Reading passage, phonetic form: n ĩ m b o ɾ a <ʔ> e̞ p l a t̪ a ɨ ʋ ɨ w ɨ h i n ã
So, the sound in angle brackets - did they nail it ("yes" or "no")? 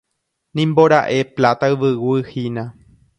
yes